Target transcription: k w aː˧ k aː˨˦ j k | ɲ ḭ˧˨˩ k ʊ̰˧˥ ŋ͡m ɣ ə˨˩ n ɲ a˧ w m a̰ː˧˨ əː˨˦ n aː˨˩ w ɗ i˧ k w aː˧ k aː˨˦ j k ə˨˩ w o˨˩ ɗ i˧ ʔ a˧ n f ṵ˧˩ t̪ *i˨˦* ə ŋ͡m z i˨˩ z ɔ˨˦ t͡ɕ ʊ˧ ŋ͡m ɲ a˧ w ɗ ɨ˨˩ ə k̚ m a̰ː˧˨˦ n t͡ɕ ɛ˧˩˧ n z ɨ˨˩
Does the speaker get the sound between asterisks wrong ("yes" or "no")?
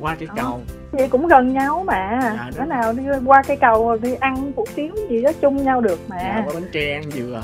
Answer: no